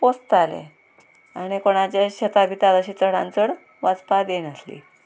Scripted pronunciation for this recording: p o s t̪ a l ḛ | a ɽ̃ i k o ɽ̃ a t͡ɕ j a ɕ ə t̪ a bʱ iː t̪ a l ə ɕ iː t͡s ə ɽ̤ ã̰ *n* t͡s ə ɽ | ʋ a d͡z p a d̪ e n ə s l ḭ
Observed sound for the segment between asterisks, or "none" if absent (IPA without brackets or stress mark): n